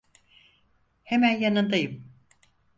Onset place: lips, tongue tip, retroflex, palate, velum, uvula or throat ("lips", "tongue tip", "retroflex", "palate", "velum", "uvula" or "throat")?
throat